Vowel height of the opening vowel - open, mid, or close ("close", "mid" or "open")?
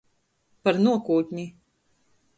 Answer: open